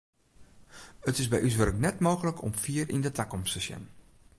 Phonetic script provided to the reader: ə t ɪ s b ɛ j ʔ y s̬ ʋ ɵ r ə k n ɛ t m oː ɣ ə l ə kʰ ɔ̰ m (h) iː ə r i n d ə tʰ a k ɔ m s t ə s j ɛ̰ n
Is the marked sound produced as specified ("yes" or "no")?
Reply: no